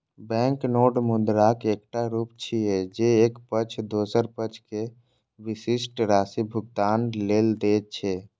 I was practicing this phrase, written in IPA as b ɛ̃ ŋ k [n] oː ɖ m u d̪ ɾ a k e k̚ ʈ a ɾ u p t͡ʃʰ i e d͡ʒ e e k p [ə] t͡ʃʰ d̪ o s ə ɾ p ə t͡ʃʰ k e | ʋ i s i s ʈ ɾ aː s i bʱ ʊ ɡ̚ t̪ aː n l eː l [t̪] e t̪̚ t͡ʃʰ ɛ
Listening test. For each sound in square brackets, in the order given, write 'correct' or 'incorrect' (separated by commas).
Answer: correct, correct, incorrect